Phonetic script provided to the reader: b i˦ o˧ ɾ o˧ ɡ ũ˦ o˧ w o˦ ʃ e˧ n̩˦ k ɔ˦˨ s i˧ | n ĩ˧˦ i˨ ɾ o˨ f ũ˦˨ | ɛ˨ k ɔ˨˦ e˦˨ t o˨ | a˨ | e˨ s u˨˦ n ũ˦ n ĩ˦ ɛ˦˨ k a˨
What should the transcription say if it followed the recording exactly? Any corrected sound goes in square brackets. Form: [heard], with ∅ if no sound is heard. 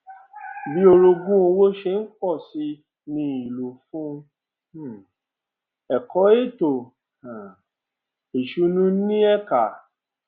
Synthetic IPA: b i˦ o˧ ɾ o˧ ɡ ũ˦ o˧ w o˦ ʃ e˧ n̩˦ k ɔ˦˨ s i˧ | n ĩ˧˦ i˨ [l] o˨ f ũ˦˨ | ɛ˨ k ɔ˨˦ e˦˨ t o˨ | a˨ | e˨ [ʃ] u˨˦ n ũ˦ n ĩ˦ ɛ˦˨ k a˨